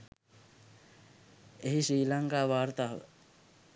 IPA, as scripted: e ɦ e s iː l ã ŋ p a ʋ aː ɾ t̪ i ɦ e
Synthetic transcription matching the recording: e ɦ i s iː l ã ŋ k a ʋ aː ɾ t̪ a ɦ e